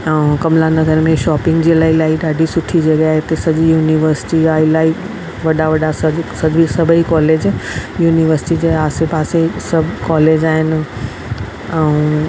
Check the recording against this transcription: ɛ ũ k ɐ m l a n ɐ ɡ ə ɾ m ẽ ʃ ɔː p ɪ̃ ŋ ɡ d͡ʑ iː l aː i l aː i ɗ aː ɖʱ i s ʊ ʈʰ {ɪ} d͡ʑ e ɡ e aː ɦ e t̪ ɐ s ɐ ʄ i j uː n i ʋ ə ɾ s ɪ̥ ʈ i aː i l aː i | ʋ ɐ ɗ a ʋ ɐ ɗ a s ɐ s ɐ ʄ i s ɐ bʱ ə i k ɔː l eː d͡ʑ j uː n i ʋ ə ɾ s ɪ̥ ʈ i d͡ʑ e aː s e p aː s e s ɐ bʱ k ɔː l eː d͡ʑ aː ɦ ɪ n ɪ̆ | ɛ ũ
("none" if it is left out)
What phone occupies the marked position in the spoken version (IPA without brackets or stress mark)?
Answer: i